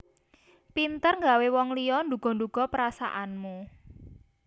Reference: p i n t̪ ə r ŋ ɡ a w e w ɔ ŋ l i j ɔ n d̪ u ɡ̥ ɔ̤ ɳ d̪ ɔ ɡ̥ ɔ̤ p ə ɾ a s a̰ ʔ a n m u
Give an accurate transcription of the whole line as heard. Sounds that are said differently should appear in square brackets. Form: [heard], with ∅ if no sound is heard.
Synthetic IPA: p i n t̪ ə r ŋ ɡ a w e w ɔ ŋ l i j ɔ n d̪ u ɡ̥ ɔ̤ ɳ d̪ [u] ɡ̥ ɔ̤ p ə ɾ a s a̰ ʔ a n m u